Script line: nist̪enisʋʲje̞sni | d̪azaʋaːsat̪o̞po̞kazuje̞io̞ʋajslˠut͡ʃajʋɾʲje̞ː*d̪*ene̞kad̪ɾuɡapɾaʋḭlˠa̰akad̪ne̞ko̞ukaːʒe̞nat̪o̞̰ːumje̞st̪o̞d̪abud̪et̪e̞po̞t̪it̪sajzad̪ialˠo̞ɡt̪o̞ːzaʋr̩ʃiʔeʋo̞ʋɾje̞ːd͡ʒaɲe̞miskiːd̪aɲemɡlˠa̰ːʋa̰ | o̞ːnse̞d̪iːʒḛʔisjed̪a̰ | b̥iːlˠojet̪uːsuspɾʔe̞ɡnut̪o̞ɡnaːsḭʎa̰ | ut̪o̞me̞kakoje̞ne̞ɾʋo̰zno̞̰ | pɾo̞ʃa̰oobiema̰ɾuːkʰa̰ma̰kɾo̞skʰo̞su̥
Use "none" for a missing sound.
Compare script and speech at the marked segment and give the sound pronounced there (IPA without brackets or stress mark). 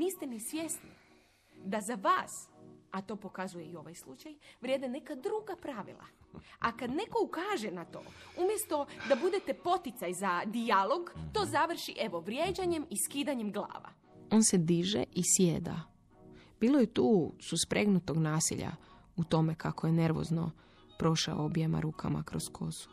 d̪